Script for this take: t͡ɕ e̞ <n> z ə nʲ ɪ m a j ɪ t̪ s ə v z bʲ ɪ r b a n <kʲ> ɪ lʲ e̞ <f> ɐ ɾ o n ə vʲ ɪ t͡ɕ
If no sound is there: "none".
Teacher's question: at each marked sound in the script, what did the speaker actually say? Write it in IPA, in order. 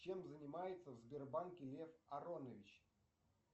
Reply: m, kʲ, f

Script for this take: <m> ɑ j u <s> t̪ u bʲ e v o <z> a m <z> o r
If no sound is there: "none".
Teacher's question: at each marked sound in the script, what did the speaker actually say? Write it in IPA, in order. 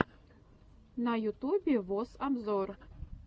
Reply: n, none, s, z

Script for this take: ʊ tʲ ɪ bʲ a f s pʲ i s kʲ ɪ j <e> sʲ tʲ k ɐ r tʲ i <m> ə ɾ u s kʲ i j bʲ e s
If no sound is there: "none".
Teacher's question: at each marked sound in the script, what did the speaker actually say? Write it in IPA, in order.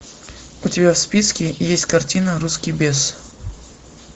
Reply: e, n

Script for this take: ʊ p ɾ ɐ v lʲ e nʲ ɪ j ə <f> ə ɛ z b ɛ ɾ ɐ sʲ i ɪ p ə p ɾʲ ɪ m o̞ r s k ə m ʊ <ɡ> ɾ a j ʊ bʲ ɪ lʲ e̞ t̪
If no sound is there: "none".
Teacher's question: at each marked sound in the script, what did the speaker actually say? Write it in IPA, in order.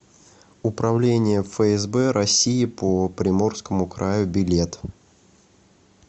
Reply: f, k

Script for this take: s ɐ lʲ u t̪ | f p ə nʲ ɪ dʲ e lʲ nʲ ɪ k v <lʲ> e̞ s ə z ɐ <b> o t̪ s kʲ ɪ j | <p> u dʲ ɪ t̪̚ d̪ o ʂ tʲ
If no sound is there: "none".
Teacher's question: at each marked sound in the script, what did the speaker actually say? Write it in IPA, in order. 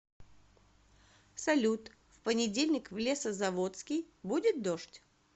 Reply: lʲ, v, b

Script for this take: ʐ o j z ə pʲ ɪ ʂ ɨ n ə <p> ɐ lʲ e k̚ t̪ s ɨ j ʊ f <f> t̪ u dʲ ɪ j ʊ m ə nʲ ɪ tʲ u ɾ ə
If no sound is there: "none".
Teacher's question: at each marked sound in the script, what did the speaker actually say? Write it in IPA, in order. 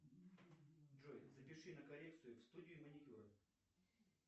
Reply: k, s

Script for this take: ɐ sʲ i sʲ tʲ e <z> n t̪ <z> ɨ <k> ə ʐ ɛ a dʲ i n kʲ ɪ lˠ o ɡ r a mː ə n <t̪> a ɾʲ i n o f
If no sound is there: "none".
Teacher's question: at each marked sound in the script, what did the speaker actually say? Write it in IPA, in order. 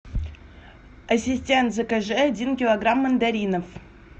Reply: none, z, k, d̪

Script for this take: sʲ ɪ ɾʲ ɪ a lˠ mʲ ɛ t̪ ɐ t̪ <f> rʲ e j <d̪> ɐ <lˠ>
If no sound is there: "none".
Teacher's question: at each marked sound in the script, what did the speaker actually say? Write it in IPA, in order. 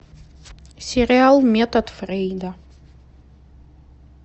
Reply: f, d̪, none

